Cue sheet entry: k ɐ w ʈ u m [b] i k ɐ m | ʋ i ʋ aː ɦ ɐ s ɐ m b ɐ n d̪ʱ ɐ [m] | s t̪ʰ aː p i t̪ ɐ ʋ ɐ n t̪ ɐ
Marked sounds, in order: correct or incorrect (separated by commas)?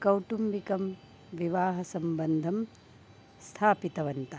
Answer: correct, correct